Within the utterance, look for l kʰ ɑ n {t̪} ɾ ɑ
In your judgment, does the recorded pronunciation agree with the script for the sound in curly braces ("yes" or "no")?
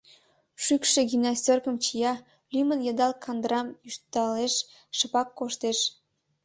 no